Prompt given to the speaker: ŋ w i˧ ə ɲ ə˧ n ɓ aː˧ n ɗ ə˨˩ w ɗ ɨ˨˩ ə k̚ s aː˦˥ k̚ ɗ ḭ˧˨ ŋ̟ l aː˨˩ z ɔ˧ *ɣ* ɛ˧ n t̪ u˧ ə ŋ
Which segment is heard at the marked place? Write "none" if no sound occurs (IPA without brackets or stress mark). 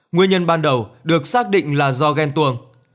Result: ɣ